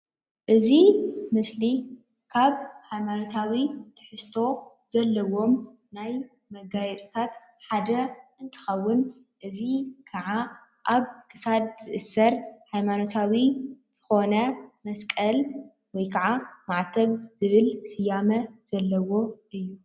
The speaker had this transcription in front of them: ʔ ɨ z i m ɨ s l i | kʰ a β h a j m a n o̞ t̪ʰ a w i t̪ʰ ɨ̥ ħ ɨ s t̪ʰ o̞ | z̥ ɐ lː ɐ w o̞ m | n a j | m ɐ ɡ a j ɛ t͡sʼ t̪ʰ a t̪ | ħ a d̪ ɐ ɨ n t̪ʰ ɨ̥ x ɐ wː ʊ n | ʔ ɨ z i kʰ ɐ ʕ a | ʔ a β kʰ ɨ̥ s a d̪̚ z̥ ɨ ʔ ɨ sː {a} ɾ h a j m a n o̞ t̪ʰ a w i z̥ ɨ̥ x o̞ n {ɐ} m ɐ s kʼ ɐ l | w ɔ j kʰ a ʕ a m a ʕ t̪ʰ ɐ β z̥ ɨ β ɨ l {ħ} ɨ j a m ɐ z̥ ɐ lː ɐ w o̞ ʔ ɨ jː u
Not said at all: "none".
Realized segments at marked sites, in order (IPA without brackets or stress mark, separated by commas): ɐ, ɐ, s